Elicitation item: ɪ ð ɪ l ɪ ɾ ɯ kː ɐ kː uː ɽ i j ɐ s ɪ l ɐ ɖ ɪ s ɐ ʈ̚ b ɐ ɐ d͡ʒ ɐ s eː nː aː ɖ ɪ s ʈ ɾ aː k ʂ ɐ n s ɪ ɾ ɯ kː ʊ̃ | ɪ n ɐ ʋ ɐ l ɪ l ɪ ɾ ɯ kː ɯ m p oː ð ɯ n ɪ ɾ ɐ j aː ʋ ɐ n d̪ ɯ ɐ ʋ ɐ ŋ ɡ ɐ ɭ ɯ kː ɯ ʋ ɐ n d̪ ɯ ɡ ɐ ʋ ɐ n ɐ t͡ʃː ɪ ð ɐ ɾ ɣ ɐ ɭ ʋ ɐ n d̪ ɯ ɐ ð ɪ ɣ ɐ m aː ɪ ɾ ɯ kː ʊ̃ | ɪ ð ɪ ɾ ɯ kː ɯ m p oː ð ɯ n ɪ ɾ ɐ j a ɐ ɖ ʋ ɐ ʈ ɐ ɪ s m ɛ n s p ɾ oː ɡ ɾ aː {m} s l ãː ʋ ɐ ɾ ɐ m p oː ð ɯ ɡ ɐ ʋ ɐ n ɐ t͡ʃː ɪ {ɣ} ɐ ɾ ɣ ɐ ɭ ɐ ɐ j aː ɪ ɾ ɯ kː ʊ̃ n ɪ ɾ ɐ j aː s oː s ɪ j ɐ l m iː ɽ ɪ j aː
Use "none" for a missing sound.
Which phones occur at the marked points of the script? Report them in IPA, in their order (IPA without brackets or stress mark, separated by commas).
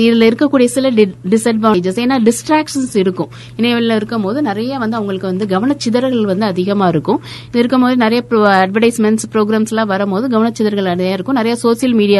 m, ð